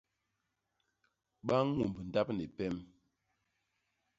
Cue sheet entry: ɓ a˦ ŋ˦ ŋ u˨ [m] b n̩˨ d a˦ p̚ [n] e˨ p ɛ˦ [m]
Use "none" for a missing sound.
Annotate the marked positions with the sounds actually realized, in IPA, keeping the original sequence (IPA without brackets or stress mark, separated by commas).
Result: m, n, m